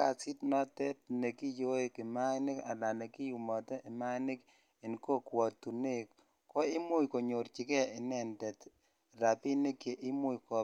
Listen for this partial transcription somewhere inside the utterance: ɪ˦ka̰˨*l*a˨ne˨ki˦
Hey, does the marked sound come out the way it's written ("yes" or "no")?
yes